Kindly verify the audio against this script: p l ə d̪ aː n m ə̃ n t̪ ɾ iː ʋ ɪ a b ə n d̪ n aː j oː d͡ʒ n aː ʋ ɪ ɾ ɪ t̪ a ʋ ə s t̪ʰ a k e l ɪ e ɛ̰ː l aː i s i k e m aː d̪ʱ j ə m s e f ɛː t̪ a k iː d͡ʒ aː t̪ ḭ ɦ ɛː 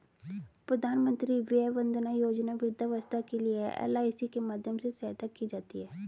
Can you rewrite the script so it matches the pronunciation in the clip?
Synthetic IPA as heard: p ɾ ə d̪ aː n m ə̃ n t̪ ɾ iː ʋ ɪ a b ə n d̪ n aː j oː d͡ʒ n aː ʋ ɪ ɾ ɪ d̪ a ʋ ə s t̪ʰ a k e l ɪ e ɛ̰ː l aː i s i k e m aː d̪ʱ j ə m s e s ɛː t̪ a k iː d͡ʒ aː t̪ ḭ ɦ ɛː